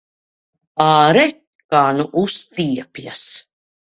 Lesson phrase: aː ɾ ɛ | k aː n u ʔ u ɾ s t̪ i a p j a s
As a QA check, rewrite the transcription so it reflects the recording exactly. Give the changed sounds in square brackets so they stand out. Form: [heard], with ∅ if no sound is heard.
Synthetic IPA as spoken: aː ɾ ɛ | k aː n u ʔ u [∅] s t̪ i [ɛ] p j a s